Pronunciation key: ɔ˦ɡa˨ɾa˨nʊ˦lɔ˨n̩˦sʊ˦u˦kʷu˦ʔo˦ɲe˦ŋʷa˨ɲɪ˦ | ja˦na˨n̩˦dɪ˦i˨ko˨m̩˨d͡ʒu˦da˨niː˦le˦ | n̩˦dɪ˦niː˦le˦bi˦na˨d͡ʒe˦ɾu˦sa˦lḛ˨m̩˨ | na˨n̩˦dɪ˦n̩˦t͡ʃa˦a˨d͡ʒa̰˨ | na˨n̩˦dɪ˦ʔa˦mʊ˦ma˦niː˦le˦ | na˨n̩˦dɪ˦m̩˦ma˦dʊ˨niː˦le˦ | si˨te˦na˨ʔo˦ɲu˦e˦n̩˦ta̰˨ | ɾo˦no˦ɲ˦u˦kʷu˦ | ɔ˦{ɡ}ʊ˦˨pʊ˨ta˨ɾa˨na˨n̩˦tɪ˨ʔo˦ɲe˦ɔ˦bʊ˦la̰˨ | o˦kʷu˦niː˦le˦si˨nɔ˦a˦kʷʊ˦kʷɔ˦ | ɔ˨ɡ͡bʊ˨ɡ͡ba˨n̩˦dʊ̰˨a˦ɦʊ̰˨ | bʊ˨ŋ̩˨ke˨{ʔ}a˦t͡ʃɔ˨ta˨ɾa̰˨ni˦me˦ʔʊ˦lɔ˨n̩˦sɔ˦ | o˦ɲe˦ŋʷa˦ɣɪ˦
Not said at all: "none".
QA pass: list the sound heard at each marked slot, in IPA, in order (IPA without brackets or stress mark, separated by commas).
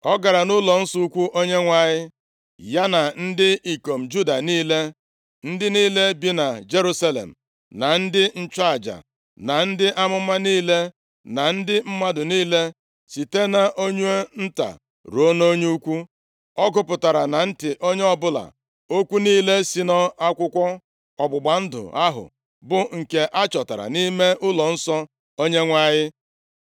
ɡ, ʔ